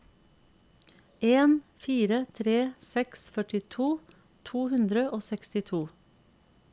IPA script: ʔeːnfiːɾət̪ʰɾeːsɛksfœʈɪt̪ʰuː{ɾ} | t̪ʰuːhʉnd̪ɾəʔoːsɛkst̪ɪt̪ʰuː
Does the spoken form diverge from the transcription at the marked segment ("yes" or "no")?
yes